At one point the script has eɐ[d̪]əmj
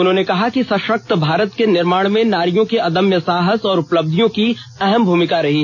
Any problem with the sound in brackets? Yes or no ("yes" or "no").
no